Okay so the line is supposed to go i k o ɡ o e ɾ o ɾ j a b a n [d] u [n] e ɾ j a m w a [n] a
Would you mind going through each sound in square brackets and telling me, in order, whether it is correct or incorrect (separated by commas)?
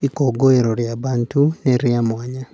incorrect, correct, incorrect